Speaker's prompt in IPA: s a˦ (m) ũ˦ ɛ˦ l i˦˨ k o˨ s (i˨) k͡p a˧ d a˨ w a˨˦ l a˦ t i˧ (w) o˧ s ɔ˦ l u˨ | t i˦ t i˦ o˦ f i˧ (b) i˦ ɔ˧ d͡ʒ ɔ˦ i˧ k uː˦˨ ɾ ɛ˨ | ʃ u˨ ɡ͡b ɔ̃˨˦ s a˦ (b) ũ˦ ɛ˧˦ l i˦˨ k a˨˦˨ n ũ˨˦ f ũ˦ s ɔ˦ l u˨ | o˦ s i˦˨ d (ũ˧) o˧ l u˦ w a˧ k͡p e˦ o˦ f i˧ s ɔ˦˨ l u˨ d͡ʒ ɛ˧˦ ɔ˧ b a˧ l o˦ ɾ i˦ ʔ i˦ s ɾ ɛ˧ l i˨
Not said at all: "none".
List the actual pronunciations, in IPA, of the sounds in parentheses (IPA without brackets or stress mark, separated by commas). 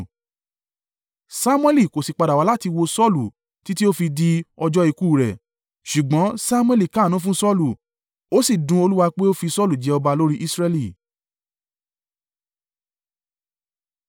m, i˨, w, d, m, ũ˧